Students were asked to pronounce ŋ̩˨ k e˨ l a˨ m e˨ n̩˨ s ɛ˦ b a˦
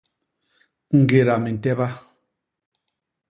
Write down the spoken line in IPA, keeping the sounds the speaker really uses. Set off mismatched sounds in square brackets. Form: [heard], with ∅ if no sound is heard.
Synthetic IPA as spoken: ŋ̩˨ [ɡ] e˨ [ɾ] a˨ m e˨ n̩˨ [t] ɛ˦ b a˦